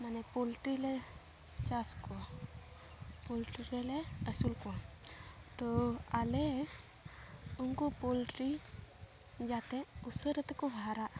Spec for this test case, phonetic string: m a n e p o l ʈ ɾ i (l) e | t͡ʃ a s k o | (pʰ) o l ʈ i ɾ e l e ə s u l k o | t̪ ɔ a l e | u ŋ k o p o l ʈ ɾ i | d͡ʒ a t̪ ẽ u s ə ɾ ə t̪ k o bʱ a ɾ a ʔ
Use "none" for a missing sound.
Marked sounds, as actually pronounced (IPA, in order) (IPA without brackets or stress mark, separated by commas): l, p